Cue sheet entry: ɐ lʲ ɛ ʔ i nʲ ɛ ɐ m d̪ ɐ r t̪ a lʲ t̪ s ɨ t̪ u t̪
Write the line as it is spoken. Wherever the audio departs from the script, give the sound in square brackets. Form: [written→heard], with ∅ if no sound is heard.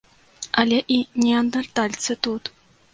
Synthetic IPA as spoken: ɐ lʲ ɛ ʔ i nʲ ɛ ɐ [m→n] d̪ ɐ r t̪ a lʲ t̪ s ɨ t̪ u t̪